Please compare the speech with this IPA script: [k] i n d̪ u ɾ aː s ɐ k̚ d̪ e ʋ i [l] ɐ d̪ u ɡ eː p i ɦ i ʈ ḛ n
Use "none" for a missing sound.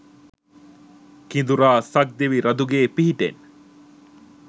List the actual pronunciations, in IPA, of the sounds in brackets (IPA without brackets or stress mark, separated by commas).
k, ɾ